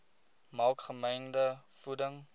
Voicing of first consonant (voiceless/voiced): voiced